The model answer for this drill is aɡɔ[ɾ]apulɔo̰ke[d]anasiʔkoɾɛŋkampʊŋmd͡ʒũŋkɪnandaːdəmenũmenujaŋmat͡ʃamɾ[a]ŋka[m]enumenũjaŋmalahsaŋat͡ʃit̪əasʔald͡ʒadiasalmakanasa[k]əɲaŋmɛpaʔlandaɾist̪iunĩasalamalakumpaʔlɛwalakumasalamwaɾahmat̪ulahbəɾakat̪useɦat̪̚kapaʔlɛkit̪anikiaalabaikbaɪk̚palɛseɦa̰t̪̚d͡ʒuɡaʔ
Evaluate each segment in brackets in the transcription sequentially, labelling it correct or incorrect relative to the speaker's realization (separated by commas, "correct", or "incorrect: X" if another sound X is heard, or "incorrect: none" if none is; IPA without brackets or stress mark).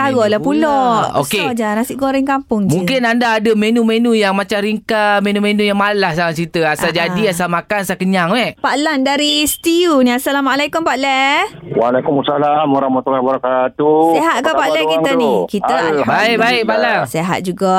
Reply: incorrect: l, incorrect: d͡ʒ, incorrect: i, correct, correct